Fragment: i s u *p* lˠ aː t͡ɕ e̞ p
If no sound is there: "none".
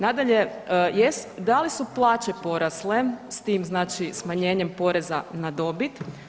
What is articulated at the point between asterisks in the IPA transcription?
p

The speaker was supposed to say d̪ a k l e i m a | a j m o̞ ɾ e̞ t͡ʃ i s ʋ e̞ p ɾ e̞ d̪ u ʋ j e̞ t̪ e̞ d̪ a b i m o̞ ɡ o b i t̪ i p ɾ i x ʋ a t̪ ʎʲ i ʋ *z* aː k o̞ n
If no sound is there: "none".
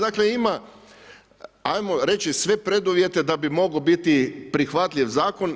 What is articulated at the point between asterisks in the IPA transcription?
z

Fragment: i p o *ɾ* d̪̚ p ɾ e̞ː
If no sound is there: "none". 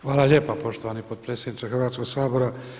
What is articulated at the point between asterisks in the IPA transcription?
none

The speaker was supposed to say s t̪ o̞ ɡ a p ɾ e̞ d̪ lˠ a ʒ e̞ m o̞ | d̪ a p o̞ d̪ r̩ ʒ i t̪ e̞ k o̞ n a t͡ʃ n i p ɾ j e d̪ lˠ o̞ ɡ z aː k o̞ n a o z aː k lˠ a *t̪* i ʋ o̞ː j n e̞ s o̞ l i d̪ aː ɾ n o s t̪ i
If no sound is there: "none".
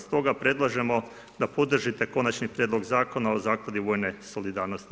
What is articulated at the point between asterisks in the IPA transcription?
d̪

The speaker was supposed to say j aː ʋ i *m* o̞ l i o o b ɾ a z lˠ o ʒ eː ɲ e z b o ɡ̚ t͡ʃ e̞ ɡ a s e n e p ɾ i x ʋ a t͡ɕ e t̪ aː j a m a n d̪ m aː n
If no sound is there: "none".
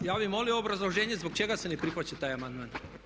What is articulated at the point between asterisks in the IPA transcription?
m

